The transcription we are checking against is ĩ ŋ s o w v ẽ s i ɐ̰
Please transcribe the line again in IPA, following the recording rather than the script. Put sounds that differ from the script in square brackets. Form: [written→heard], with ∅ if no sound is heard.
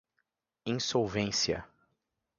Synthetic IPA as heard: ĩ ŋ s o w v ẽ s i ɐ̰